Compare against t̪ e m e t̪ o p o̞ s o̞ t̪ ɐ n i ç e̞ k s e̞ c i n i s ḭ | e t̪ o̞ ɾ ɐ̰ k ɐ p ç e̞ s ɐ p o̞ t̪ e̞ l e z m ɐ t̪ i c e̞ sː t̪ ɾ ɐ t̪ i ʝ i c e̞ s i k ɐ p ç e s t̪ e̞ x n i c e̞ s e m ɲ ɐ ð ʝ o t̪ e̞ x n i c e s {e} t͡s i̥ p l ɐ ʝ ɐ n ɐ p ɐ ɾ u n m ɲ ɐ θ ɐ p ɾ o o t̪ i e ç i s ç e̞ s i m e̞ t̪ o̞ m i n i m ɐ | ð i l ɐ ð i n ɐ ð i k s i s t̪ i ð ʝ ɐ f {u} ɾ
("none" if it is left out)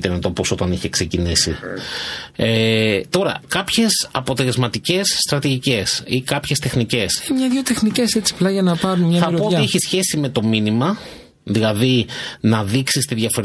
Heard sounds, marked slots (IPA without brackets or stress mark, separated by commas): e, o